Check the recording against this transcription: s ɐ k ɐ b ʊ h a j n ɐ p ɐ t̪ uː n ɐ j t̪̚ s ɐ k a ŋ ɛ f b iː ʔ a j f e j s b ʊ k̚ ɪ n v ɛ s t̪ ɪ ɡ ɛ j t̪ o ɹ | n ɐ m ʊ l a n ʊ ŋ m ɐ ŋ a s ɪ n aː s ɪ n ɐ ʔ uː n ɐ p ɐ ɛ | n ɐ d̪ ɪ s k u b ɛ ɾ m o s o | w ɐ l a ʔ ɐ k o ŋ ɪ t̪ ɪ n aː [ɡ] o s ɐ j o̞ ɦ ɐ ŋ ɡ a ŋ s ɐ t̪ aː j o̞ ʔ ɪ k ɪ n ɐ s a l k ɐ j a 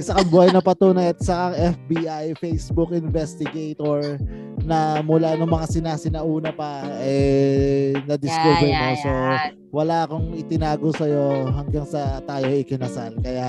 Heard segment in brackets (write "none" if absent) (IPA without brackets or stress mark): ɡ